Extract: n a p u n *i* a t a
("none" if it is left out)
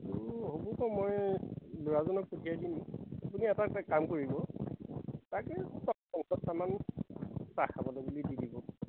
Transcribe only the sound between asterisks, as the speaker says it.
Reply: i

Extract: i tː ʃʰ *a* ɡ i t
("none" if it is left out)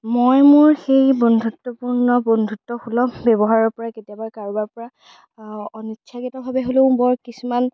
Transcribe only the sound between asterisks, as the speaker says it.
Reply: a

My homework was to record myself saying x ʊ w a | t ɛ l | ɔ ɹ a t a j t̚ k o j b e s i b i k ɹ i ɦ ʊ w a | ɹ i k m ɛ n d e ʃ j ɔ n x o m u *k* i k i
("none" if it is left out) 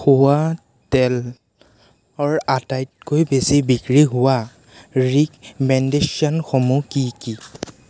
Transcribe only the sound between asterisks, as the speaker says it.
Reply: k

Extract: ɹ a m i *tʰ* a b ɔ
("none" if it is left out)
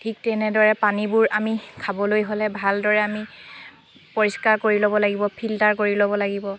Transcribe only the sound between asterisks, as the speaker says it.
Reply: kʰ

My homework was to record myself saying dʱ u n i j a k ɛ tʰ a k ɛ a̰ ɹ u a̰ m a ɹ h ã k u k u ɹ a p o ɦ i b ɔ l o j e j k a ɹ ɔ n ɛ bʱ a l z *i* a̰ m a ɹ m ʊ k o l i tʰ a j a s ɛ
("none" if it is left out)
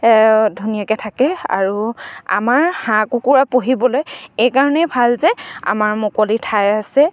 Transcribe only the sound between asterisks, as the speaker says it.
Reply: ɛ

